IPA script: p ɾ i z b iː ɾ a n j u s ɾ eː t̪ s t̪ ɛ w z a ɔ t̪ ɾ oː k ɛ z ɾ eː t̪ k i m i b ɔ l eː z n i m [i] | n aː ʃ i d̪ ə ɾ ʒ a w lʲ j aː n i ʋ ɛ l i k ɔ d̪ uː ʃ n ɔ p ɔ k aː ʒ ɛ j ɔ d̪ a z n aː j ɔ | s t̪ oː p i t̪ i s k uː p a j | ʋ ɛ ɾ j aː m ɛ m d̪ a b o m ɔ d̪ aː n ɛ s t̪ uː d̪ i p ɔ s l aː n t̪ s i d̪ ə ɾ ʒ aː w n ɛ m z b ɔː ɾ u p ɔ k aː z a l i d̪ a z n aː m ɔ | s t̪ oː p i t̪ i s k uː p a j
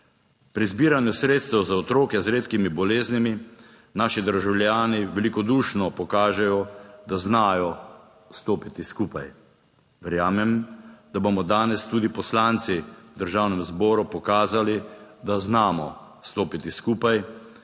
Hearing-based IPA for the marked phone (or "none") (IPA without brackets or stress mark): i